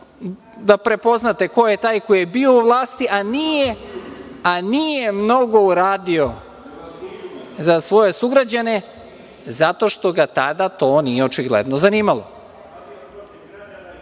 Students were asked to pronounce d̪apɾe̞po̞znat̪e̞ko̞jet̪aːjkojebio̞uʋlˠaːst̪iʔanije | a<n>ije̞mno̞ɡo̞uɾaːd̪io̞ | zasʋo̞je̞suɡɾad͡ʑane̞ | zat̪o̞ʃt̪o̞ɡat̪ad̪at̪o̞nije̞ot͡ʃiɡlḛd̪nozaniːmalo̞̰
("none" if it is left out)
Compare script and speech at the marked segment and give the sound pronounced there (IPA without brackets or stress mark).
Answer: n